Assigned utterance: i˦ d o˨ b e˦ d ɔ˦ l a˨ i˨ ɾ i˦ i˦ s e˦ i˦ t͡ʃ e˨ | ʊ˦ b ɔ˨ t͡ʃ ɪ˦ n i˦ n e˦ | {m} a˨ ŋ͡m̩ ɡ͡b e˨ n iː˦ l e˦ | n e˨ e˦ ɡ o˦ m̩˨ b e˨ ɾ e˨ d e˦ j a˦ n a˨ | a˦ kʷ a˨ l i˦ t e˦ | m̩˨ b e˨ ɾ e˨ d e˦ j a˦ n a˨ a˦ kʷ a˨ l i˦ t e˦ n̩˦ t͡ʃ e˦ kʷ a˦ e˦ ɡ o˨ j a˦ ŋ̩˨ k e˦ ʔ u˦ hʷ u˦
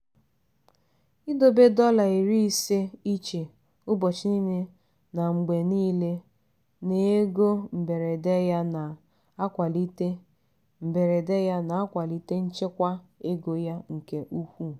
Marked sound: incorrect: n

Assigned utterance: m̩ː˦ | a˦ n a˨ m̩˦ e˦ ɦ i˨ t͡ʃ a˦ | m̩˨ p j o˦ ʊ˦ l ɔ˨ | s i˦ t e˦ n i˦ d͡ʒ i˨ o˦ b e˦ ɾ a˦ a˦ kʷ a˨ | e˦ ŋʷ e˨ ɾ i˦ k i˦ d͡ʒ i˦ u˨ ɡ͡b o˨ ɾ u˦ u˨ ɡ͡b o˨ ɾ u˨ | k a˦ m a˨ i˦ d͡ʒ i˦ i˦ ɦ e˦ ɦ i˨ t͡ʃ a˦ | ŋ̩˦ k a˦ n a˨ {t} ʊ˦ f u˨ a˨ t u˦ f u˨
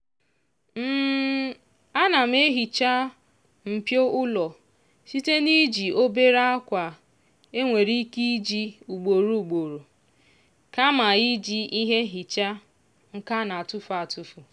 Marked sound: correct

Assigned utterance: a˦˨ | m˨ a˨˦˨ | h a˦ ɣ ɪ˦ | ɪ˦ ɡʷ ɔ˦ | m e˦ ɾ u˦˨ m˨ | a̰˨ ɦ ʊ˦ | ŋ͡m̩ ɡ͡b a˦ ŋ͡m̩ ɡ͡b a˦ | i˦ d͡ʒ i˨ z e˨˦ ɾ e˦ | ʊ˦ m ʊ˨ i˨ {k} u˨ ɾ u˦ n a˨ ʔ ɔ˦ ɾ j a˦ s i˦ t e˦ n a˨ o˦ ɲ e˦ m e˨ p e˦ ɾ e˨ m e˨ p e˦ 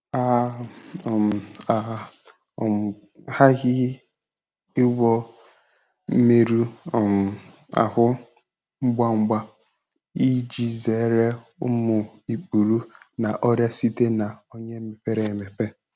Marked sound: incorrect: k͡p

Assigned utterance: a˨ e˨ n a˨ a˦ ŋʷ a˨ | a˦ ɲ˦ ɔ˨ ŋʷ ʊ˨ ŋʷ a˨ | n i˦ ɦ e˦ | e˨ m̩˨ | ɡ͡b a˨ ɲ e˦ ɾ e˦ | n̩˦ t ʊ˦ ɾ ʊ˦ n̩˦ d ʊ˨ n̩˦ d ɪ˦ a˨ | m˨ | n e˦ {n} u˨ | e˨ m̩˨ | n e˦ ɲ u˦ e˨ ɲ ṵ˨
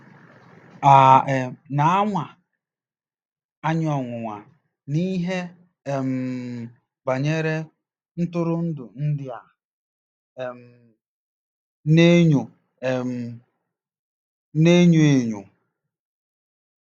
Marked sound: incorrect: ɲ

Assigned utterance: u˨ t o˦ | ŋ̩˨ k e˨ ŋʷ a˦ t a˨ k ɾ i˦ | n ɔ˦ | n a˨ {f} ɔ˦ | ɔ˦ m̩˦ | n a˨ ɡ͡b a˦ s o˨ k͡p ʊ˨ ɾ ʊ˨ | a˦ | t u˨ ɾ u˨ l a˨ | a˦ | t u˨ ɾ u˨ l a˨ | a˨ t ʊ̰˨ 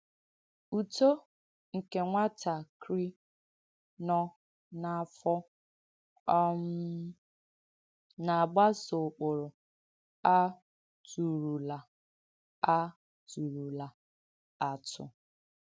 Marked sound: correct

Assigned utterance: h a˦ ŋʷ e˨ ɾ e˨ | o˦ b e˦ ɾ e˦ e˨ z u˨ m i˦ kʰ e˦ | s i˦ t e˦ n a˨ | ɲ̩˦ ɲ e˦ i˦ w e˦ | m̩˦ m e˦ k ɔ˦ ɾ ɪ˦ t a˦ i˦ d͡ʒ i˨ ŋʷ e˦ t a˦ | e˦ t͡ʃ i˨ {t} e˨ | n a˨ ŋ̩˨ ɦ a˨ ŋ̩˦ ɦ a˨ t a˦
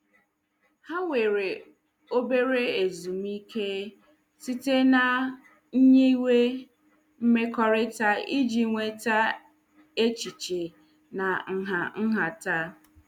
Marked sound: incorrect: t͡ʃ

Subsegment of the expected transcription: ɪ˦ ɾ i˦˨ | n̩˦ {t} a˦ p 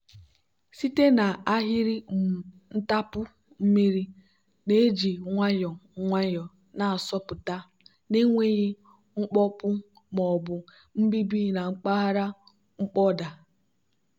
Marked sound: correct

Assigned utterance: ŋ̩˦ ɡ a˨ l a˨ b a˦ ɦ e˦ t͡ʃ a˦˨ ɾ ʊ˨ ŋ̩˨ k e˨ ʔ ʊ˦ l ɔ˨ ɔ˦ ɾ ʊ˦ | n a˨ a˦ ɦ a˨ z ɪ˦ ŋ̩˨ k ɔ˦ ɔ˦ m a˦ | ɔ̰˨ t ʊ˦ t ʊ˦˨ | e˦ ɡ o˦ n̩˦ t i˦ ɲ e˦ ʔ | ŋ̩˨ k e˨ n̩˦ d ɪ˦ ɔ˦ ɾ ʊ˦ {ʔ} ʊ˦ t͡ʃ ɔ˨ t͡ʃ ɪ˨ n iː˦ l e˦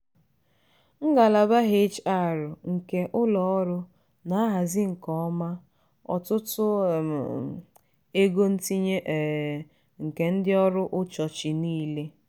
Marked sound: correct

